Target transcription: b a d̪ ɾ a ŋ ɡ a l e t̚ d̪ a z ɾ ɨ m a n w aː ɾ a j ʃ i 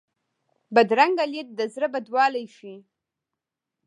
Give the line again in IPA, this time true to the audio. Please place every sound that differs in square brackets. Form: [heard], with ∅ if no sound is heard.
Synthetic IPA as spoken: b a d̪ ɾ a ŋ ɡ a l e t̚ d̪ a z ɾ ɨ [b] a [d] w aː [l] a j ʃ i